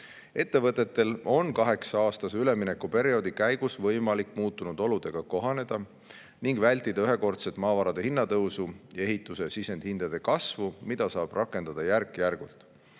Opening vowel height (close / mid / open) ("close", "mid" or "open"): mid